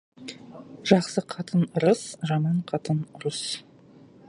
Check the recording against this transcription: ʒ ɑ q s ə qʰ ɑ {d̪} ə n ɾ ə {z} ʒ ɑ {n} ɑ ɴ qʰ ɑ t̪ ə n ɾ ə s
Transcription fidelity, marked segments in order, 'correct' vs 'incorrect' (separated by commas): incorrect, incorrect, incorrect